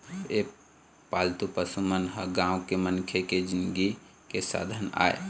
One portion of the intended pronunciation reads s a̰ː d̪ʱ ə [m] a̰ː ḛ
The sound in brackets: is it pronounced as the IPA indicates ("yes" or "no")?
no